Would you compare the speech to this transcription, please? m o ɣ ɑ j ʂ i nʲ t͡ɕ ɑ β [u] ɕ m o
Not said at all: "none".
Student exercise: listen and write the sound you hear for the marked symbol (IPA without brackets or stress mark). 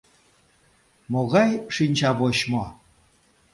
o